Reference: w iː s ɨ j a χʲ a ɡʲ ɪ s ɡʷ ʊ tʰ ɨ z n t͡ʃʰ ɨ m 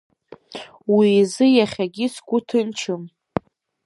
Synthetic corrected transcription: w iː z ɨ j a χʲ a ɡʲ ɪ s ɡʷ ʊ tʰ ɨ n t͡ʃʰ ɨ m

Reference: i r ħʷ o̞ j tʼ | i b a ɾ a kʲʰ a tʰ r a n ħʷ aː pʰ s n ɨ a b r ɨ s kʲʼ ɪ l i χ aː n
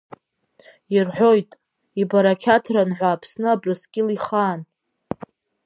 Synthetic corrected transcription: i r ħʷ o̞ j tʼ | i b a ɾ a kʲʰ a tʰ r a n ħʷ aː pʰ s n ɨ a b r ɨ s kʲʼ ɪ l i χ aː n

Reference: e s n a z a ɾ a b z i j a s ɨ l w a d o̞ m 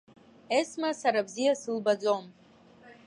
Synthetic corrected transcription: e s m a s a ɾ a b z i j a s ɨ l b a d͡z o̞ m

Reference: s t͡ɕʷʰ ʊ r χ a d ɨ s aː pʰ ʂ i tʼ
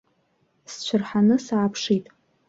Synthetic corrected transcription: s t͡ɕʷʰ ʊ r ħ a n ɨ s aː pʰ ʂ i tʼ

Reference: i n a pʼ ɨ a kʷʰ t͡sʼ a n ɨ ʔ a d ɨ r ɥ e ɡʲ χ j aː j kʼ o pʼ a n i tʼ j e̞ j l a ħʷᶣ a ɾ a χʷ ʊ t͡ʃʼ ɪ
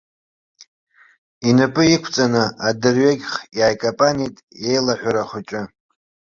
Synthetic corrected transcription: i n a pʼ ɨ i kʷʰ t͡sʼ a n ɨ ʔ a d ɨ r ɥ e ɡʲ χ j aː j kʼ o pʼ a n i tʼ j e̞ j l a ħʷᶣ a ɾ a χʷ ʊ t͡ʃʼ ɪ

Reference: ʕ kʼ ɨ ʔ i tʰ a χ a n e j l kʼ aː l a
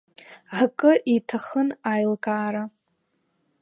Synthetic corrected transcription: ʕ kʼ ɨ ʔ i tʰ a χ ə n a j l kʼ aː ɾ a

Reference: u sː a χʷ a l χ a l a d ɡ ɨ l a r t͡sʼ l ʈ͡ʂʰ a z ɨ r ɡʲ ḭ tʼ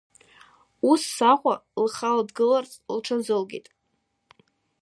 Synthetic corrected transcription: u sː a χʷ a l χ a l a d ɡ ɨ l a r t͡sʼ l ʈ͡ʂʰ a z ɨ l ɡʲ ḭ tʼ

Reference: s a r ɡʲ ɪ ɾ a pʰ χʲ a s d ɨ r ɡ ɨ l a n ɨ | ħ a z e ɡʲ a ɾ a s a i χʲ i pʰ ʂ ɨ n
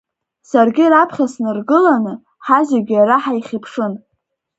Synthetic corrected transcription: s a r ɡʲ ɪ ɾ a pʰ χʲ a s n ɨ r ɡ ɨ l a n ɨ | ħ a z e ɡʲ a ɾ a ħ a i χʲ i pʰ ʂ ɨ n

